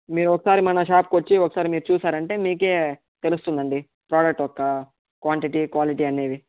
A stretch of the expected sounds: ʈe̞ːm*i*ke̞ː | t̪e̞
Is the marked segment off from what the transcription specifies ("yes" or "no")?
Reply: yes